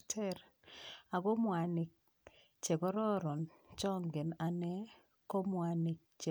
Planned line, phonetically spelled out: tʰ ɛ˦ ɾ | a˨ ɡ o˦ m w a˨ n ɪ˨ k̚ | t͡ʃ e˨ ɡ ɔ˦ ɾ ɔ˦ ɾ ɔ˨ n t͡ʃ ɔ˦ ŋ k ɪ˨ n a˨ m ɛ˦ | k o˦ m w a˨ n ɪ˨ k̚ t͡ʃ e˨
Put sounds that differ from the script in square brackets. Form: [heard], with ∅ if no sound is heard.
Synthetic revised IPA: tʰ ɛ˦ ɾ | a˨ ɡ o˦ m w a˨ n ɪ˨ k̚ | t͡ʃ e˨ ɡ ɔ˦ ɾ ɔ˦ ɾ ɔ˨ n t͡ʃ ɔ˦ ŋ [ɡ] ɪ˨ n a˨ [n] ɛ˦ | k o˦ m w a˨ n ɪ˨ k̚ t͡ʃ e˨